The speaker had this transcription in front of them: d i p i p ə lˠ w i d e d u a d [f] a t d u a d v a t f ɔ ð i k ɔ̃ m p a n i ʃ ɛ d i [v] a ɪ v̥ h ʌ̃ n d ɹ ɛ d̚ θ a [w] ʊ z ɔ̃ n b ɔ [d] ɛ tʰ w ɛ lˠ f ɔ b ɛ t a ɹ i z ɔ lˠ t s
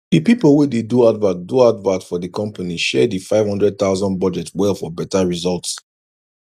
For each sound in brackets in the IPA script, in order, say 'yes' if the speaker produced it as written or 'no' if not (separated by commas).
no, no, no, no